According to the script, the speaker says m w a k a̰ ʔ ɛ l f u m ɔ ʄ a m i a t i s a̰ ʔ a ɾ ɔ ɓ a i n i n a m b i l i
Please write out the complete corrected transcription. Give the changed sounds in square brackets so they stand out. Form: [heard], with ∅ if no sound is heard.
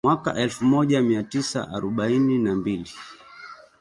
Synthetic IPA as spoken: m w a k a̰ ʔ ɛ l f u m ɔ ʄ a m i a t i s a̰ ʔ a ɾ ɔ ɓ a i n i n a m b i l i